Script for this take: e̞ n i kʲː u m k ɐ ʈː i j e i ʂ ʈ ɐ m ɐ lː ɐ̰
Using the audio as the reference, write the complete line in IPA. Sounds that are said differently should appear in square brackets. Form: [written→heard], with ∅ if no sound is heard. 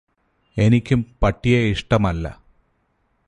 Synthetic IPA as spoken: e̞ n i kʲː u m [k→p] ɐ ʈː i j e i ʂ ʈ ɐ m ɐ lː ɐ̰